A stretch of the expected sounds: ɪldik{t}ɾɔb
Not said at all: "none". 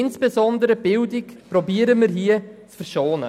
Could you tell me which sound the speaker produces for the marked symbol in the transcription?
p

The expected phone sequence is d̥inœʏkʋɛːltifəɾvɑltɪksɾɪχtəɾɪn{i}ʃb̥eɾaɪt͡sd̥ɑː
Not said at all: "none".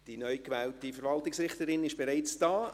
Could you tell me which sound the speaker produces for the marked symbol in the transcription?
ɪ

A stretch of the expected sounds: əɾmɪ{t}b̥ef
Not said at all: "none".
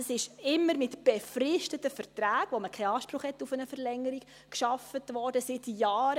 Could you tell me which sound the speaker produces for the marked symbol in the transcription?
t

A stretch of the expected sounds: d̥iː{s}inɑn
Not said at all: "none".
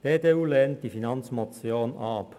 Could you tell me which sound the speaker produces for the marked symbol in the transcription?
f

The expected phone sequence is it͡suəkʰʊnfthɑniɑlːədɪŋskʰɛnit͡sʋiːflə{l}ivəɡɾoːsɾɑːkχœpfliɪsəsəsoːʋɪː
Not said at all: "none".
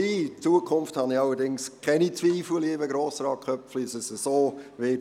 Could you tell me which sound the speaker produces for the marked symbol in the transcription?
l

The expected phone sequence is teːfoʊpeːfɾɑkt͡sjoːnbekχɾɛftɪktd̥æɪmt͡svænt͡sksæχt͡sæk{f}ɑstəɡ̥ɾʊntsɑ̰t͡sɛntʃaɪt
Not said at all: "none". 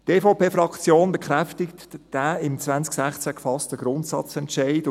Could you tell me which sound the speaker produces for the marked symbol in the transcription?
f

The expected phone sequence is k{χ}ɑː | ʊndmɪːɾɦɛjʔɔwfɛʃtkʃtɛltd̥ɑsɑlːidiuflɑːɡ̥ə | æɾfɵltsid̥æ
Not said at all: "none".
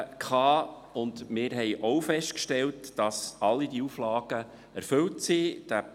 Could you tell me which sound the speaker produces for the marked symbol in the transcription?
χ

